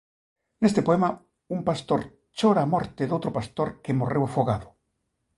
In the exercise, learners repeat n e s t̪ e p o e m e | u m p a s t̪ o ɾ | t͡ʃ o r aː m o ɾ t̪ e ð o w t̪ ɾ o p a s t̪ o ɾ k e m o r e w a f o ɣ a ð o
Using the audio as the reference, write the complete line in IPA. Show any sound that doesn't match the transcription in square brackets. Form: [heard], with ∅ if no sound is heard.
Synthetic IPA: n e s t̪ e p o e m [a] | u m p a s t̪ o ɾ | t͡ʃ o [ɾ] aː m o ɾ t̪ e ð o w t̪ ɾ o p a s t̪ o ɾ k e m o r e w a f o ɣ a ð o